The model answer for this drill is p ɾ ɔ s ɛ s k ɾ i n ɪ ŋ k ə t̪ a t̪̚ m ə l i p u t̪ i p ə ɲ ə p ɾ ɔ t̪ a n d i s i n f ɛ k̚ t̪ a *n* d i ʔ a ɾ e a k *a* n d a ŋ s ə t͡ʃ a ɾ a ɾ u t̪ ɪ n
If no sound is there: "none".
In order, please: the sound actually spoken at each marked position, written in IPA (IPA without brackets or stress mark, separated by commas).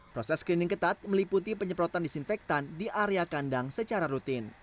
n, a